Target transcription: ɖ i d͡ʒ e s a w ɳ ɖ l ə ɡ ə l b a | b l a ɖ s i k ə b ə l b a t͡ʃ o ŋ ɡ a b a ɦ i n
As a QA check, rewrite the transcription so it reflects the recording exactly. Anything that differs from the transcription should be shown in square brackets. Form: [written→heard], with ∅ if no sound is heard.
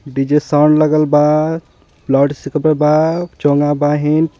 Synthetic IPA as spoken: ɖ i d͡ʒ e s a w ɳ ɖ l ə ɡ ə l b a | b l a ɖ s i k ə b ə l b a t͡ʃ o ŋ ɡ a b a ɦ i n